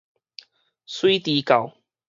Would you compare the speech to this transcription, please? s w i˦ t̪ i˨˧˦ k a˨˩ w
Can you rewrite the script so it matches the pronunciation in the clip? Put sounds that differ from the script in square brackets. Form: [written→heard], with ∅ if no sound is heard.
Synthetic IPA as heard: s w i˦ t̪ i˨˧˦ k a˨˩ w